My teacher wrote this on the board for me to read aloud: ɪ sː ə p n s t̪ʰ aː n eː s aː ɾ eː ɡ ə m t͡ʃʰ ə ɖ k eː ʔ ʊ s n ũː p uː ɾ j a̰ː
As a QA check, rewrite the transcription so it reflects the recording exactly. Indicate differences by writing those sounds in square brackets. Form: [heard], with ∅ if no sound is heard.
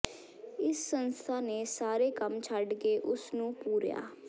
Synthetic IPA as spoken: ɪ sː ə [∅] n s t̪ʰ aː n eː s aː ɾ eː [k] ə m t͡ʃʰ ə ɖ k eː ʔ ʊ s n ũː p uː ɾ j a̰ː

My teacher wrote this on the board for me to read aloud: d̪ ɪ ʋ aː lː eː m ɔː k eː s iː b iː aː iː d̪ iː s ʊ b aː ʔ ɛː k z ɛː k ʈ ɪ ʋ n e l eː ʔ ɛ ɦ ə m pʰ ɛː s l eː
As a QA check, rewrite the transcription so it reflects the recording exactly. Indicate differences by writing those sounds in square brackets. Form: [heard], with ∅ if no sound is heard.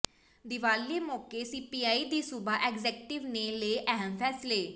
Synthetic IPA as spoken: d̪ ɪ ʋ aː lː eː m ɔː k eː s iː [p] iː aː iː d̪ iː s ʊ b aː ʔ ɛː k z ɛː k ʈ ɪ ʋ n e l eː ʔ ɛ ɦ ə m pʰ ɛː s l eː

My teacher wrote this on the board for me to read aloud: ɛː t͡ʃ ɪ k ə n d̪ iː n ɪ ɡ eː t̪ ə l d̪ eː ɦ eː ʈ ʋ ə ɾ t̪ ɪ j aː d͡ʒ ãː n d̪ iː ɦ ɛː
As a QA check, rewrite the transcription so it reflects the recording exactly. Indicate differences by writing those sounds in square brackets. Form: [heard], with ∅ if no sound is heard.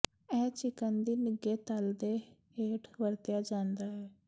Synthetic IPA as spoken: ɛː t͡ʃ ɪ k ə n d̪ iː n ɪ ɡ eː t̪ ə l d̪ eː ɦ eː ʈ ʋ ə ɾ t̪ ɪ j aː d͡ʒ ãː n d̪ [aː] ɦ ɛː

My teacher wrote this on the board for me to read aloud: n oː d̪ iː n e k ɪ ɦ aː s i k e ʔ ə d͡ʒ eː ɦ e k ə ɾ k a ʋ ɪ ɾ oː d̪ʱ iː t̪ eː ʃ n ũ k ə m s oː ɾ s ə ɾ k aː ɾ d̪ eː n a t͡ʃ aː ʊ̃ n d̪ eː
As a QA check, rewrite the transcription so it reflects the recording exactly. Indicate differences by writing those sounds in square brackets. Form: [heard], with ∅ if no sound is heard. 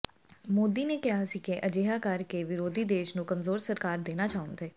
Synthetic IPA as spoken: [m] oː d̪ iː n e k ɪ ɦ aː s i k e ʔ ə d͡ʒ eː ɦ [a] k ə ɾ k [e] ʋ ɪ ɾ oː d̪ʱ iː [d̪] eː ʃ n ũ k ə m [z] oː ɾ s ə ɾ k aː ɾ d̪ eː n a t͡ʃ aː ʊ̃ n d̪ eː

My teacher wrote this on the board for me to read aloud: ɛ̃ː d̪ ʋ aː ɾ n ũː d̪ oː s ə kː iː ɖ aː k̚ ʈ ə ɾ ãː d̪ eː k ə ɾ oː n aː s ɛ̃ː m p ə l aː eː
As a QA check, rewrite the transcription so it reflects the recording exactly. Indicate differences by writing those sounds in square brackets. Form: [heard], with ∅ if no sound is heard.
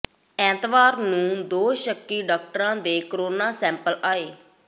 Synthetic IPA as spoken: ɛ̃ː [t̪] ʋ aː ɾ n ũː d̪ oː [ʃ] ə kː iː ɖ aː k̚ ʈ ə ɾ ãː d̪ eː k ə ɾ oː n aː s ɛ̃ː m p ə l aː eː

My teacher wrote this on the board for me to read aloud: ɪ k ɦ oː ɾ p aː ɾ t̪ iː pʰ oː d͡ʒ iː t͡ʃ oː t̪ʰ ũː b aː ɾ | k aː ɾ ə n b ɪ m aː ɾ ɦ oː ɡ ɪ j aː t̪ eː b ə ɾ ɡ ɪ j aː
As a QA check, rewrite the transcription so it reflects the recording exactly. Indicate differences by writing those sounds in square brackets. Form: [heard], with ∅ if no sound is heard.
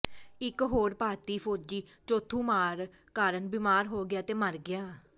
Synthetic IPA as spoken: ɪ k ɦ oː ɾ p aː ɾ t̪ iː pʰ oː d͡ʒ iː t͡ʃ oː t̪ʰ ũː [m] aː ɾ | k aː ɾ ə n b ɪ m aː ɾ ɦ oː ɡ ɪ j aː t̪ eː [m] ə ɾ ɡ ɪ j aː

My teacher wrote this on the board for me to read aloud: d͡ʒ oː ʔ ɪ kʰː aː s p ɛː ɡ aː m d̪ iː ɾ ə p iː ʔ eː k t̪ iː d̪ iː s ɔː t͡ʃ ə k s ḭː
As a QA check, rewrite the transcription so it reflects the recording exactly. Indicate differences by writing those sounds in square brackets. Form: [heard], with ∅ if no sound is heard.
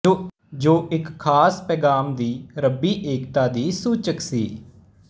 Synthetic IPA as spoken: d͡ʒ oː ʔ ɪ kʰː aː s p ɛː ɡ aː m d̪ iː ɾ ə [b] iː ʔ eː k t̪ [aː] d̪ iː s [uː] t͡ʃ ə k s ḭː

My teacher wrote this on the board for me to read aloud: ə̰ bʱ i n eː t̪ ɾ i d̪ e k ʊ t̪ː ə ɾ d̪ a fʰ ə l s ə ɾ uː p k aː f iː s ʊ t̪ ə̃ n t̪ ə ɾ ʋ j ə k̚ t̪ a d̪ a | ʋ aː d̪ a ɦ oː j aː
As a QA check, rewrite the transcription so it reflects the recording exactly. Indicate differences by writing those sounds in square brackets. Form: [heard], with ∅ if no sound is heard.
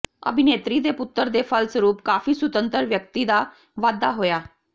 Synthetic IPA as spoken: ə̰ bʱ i n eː t̪ ɾ i d̪ e [p] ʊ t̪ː ə ɾ d̪ [e] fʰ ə l s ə ɾ uː p k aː f iː s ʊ t̪ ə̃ n t̪ ə ɾ ʋ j ə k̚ t̪ [i] d̪ a | ʋ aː d̪ a ɦ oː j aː

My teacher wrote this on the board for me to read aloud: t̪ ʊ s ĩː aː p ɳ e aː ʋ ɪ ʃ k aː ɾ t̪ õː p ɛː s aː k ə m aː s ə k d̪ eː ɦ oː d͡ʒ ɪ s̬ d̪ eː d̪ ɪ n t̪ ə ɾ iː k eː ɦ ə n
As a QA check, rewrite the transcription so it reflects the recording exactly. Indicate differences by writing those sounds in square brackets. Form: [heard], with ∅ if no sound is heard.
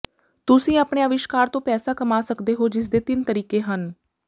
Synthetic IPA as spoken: t̪ ʊ s ĩː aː p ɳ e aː ʋ ɪ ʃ k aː ɾ t̪ õː p ɛː s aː k ə m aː s ə k d̪ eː ɦ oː d͡ʒ ɪ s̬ d̪ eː [t̪] ɪ n t̪ ə ɾ iː k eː ɦ ə n

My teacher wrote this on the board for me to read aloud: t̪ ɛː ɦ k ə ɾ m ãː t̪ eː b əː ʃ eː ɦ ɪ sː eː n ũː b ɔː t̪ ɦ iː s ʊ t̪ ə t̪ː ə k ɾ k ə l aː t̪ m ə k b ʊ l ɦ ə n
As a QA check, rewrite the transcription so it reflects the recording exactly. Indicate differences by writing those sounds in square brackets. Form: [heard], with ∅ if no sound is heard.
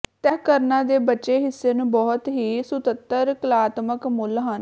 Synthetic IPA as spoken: t̪ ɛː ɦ k ə ɾ [n] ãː [d̪] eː b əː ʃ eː ɦ ɪ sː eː n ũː b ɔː t̪ ɦ iː s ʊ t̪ ə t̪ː ə [∅] ɾ k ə l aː t̪ m ə k [m] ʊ l ɦ ə n

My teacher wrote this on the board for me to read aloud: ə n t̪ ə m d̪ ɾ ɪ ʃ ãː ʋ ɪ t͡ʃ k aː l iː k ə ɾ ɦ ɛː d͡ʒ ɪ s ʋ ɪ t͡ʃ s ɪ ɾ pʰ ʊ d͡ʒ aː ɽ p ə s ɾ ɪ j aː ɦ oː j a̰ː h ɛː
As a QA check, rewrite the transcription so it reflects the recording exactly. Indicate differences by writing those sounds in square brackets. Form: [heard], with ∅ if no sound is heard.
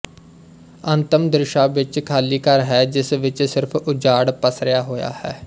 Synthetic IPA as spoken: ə n t̪ ə m d̪ ɾ ɪ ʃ [aː] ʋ ɪ t͡ʃ [kʰ] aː l iː k ə ɾ ɦ ɛː d͡ʒ ɪ s ʋ ɪ t͡ʃ s ɪ ɾ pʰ ʊ d͡ʒ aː ɽ p ə s ɾ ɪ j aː ɦ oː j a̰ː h ɛː

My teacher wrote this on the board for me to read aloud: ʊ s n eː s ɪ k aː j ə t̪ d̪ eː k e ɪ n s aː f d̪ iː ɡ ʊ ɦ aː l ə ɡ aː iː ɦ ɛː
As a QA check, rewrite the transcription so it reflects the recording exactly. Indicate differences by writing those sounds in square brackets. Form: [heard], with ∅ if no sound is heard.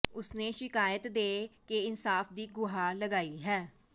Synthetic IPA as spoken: ʊ s n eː [ʃ] ɪ k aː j ə t̪ d̪ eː k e ɪ n s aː f d̪ iː ɡ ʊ ɦ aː l ə ɡ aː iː ɦ ɛː

